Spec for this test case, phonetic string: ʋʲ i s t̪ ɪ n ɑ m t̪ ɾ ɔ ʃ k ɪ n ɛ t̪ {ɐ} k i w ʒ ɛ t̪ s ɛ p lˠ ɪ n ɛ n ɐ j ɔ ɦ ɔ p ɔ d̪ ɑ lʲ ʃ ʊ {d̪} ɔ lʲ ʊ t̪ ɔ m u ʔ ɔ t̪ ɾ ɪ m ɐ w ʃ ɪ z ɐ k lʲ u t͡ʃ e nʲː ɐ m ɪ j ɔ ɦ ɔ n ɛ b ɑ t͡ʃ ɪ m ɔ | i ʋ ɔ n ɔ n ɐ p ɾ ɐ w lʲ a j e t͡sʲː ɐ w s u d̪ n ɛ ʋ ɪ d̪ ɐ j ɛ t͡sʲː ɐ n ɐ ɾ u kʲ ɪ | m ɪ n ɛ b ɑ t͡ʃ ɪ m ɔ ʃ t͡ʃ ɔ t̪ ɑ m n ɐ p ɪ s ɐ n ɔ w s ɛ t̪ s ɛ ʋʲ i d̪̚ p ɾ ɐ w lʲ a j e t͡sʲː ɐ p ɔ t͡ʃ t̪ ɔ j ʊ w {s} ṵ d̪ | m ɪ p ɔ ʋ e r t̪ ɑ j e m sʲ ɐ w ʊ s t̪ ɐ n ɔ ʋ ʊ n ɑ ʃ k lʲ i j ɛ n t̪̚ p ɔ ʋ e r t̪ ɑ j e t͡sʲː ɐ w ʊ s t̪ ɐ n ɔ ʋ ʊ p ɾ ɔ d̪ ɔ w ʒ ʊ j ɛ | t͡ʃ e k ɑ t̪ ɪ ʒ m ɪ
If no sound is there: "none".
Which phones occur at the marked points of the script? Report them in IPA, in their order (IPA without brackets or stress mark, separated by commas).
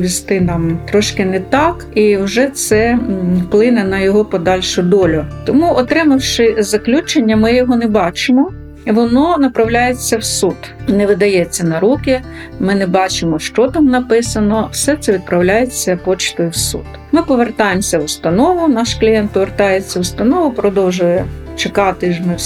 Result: ɑ, d̪, s